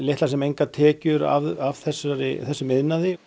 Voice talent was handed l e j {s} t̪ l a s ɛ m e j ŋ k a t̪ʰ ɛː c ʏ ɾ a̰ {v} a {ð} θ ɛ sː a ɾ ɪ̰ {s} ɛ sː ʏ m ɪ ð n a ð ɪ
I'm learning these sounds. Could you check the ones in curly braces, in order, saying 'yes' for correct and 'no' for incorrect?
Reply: no, yes, no, no

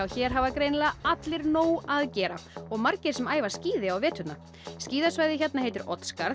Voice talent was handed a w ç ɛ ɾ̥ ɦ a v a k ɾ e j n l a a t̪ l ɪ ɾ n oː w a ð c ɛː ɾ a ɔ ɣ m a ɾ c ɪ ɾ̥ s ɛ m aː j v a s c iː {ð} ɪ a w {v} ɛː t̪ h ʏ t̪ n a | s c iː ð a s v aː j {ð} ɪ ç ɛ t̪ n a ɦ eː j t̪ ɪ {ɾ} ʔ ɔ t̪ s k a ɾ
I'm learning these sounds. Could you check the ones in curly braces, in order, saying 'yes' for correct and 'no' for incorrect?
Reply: yes, yes, yes, yes

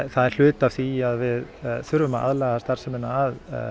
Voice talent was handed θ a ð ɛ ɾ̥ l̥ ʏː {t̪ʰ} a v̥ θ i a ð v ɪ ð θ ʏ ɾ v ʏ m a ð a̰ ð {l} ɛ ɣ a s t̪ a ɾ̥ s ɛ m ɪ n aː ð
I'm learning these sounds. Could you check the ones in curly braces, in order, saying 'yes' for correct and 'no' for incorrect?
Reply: no, yes

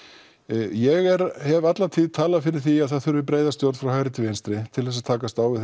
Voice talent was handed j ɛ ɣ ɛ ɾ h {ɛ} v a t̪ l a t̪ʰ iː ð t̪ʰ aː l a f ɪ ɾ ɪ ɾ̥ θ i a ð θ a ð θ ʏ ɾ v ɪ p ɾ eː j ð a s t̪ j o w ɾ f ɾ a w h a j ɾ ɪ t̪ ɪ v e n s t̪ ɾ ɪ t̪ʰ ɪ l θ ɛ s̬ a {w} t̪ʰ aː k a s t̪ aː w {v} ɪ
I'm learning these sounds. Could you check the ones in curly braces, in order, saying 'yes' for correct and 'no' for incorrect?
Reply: yes, no, yes

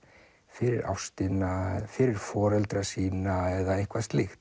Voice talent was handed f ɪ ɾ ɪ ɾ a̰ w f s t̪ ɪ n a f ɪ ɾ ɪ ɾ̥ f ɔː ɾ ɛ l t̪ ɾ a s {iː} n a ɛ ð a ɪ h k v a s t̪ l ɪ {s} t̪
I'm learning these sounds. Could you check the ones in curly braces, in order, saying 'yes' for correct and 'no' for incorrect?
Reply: yes, no

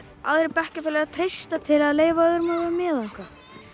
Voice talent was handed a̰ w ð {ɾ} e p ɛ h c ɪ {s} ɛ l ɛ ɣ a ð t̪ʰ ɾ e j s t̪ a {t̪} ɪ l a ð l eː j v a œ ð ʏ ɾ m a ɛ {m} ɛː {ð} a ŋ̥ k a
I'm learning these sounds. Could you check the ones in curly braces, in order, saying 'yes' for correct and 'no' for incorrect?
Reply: yes, no, no, yes, yes

